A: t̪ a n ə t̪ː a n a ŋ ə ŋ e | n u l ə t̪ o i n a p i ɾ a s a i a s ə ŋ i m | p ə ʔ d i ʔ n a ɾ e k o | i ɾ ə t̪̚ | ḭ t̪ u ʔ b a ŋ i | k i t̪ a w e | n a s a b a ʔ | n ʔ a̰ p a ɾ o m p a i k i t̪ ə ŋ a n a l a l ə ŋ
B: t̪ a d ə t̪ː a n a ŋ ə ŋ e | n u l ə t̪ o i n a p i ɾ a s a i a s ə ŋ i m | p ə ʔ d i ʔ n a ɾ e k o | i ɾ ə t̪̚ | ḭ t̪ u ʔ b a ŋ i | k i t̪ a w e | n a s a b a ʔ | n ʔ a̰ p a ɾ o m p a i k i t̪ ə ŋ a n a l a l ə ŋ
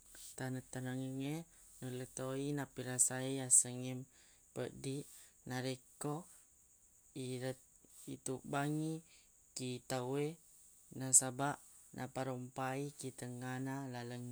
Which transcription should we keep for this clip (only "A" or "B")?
A